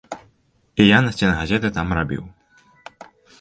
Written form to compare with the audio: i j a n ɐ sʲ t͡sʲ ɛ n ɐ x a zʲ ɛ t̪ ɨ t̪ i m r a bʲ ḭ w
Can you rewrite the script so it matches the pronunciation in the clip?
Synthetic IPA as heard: i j a n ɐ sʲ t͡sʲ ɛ n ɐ ɣ a zʲ ɛ t̪ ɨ t̪ a m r a bʲ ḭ w